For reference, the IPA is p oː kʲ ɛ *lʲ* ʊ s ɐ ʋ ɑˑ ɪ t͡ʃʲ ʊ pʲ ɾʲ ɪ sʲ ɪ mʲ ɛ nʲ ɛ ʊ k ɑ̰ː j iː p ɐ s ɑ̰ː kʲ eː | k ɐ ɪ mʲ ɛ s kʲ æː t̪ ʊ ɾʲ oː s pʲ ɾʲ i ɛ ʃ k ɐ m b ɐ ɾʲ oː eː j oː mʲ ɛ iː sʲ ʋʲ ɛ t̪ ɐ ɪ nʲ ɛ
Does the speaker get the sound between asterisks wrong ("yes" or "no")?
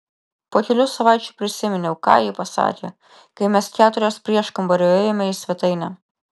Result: no